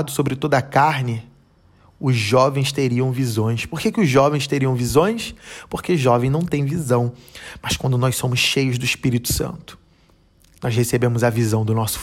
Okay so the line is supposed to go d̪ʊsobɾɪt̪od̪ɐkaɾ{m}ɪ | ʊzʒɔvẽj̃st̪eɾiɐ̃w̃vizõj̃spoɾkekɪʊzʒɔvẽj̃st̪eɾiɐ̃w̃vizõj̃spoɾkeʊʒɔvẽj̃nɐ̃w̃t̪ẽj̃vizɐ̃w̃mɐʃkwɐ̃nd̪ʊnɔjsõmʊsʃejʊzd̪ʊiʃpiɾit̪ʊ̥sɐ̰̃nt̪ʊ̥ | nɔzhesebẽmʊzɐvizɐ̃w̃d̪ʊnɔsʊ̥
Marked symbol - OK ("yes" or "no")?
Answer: no